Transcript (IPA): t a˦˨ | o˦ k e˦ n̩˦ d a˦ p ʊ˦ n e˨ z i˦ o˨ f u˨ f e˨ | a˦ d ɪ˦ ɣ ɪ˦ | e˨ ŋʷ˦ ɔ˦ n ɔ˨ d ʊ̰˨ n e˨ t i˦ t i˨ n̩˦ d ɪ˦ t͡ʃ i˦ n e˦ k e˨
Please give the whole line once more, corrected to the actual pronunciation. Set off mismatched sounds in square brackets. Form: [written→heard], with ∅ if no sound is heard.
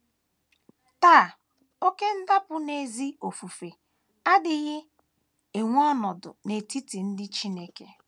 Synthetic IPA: t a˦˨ | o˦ k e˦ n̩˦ d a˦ p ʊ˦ n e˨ z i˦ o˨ f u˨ f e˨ | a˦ d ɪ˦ ɣ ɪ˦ | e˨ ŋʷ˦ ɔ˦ n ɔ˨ d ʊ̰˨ n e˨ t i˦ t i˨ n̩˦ d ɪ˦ t͡ʃ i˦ n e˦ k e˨